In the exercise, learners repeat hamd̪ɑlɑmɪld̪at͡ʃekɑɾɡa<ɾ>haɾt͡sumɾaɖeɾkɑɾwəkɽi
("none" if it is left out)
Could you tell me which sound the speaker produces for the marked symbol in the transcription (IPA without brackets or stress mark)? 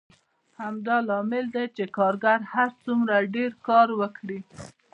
ɾ